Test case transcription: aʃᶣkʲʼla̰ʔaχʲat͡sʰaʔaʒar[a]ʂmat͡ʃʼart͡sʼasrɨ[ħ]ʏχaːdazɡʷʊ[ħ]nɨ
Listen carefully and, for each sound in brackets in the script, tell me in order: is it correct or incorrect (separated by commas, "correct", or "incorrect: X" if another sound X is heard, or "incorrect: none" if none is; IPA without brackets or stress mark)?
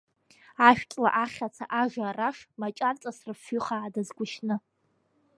correct, incorrect: f, incorrect: ʃ